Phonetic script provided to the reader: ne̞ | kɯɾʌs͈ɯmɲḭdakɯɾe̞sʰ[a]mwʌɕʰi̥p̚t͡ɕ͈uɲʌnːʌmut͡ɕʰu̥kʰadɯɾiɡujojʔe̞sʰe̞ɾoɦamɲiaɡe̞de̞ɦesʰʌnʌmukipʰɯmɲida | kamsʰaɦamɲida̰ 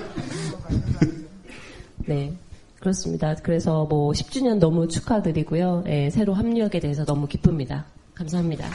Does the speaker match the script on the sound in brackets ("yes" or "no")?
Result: no